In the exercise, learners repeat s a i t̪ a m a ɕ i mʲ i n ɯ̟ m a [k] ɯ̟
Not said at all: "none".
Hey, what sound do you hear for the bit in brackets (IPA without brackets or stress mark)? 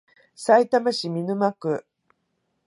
k